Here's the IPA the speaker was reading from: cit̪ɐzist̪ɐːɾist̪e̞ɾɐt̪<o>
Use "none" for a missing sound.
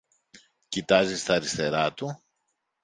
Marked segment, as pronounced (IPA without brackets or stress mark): u